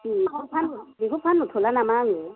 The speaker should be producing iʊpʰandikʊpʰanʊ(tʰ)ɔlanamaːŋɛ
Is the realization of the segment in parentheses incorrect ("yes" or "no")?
no